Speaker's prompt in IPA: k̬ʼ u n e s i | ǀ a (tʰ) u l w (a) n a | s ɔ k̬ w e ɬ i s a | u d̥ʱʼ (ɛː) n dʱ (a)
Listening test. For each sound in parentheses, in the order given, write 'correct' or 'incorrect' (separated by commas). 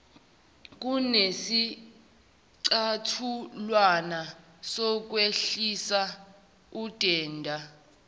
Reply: correct, correct, correct, correct